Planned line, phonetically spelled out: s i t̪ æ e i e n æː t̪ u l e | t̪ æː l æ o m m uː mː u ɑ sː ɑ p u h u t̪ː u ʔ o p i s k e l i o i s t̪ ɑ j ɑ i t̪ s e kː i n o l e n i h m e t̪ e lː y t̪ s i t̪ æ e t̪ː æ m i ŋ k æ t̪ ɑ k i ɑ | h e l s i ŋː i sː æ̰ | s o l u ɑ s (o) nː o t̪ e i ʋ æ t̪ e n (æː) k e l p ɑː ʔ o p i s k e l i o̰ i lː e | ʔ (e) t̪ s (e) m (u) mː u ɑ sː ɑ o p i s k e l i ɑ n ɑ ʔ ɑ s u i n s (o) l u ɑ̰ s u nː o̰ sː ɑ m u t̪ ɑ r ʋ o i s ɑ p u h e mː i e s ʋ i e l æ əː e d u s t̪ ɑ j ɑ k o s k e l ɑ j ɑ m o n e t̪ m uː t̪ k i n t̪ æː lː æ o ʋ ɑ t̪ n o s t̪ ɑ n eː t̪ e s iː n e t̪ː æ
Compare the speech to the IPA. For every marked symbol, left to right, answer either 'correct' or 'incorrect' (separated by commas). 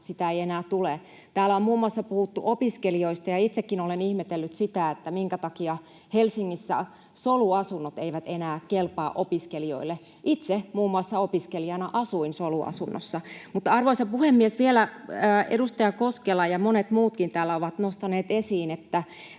incorrect, correct, incorrect, correct, incorrect, correct